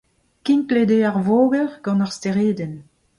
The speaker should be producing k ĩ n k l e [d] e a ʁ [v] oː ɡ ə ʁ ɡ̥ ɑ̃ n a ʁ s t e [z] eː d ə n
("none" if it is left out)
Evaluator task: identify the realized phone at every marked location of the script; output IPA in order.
d, v, ʁ

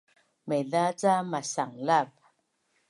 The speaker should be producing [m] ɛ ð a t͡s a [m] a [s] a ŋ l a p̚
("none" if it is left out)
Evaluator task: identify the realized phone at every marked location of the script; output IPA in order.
m, m, s

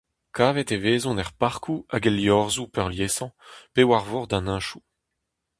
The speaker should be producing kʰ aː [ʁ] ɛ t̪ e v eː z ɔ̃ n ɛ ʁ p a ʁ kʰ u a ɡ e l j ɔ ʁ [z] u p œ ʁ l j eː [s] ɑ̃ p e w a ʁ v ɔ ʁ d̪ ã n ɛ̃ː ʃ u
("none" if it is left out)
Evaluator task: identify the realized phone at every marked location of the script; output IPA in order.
v, z, s

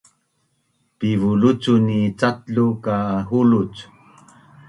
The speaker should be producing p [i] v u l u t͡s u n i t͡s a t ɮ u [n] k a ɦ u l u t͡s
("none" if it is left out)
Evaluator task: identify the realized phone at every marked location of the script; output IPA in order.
i, none

